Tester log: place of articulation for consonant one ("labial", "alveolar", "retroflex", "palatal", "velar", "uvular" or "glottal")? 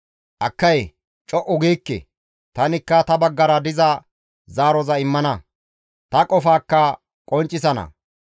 glottal